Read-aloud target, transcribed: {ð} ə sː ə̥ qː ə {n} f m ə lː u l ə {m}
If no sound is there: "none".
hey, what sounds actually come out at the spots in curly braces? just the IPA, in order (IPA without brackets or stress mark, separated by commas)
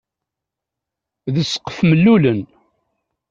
ð, none, n